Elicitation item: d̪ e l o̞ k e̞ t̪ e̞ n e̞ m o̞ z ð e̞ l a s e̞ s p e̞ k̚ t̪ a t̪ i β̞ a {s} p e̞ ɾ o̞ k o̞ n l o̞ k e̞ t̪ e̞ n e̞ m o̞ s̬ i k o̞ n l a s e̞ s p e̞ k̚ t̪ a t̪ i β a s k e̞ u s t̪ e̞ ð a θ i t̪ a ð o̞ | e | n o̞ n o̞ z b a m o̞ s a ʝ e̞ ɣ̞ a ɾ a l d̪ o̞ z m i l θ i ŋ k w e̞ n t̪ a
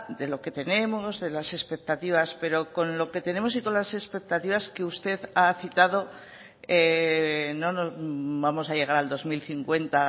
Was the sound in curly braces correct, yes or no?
yes